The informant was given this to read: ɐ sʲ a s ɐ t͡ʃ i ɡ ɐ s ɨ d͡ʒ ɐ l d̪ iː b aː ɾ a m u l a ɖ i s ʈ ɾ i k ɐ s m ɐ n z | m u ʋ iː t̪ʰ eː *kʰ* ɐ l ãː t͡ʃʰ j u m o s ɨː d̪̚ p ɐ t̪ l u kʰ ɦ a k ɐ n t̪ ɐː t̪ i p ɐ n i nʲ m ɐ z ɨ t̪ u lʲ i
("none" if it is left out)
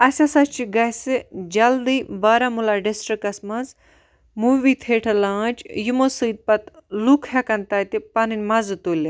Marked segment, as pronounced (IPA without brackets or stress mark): ʈʰ